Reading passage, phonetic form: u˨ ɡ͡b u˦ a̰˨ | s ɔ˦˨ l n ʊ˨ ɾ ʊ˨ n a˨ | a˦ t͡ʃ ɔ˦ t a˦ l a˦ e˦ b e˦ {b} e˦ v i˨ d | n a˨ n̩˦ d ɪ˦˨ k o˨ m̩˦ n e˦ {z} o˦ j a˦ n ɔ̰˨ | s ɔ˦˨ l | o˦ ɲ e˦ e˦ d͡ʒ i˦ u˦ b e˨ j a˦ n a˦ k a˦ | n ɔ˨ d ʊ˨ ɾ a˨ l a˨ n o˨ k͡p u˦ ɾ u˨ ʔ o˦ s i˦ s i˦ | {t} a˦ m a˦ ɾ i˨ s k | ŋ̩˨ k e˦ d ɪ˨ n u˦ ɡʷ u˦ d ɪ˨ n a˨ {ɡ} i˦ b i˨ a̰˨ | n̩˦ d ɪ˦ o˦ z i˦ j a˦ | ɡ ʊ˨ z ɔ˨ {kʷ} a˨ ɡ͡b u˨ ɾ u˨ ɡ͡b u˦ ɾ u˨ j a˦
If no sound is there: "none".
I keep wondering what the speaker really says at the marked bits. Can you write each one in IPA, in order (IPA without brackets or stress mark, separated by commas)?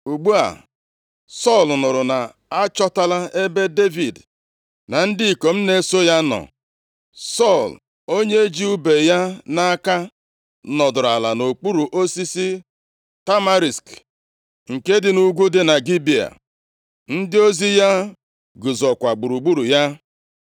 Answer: d, s, t, ɡ, kʷ